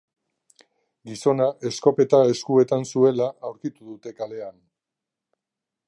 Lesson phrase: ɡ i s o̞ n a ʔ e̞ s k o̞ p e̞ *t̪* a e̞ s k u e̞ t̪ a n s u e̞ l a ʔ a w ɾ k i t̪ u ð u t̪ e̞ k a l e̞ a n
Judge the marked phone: correct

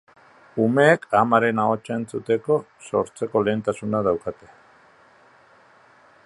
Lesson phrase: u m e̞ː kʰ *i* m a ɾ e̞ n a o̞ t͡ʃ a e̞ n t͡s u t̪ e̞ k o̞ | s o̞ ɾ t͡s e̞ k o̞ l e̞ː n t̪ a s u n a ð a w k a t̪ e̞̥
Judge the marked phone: incorrect: a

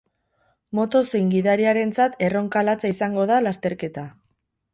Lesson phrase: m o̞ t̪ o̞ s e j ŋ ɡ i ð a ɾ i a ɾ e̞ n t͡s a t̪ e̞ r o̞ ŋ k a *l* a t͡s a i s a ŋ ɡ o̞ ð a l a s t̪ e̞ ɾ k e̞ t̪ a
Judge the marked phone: correct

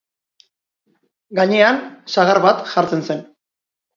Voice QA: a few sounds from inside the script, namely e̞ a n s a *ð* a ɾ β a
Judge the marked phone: incorrect: ɣ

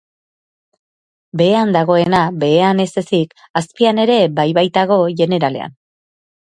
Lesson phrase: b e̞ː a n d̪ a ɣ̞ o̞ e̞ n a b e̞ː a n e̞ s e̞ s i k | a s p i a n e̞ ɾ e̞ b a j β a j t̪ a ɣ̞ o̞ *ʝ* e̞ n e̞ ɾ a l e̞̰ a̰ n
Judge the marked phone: correct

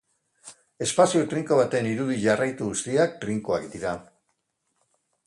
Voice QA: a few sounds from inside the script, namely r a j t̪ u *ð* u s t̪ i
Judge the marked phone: incorrect: ɣ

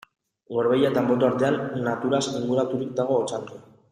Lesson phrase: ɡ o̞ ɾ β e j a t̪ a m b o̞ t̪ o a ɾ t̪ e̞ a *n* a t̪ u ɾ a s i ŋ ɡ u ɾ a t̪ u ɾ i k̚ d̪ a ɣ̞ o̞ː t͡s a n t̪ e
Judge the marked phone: incorrect: nː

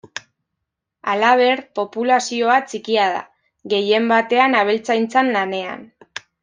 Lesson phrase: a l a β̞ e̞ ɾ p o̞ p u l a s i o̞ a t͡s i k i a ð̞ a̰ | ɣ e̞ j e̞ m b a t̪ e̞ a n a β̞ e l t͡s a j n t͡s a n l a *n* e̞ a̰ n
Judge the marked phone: correct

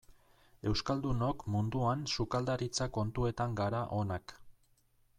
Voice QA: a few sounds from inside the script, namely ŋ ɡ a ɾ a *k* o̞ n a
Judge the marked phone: incorrect: ʔ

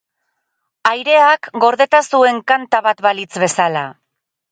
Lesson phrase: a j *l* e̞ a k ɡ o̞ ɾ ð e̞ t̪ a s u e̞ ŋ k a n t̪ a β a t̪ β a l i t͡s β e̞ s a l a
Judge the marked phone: incorrect: ɾ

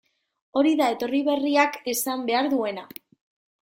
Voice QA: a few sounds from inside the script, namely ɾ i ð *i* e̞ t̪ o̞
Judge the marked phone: incorrect: a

